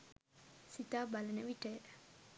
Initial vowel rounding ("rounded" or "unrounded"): unrounded